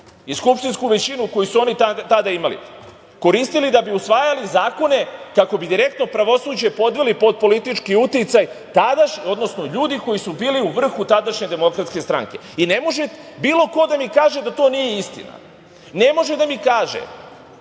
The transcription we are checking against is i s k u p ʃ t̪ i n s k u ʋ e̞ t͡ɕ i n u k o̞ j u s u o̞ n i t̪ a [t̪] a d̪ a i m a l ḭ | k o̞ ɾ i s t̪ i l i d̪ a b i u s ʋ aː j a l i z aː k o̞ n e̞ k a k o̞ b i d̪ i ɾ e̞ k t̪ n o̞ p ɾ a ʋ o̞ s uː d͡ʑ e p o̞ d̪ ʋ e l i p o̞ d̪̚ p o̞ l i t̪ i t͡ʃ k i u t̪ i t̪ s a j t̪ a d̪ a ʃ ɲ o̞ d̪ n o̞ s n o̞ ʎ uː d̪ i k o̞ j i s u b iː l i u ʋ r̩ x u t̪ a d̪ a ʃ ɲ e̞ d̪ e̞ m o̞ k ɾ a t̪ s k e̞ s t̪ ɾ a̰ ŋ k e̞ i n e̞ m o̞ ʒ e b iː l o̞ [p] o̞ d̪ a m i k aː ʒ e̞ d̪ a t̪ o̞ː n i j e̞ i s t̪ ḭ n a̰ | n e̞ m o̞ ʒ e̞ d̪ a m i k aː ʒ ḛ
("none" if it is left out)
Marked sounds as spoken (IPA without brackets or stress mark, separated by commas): t̪, k